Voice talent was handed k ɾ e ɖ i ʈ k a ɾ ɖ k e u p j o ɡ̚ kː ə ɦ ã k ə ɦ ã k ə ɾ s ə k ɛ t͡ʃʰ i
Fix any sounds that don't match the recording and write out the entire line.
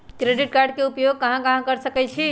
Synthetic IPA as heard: k ɾ e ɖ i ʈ k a ɾ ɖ k e u p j o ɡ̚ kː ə ɦ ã k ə ɦ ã k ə ɾ s ə k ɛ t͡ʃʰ i